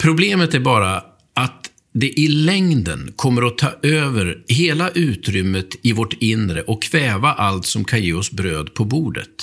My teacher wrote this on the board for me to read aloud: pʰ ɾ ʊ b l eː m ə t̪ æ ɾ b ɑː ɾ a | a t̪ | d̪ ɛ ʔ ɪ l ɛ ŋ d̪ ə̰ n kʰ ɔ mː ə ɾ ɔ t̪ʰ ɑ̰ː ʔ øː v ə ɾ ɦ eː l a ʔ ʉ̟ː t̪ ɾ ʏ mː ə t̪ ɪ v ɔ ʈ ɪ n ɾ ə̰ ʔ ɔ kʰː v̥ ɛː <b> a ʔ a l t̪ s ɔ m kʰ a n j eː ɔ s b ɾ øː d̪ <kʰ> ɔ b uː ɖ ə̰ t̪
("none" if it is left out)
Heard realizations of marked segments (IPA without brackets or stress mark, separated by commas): v, pʰ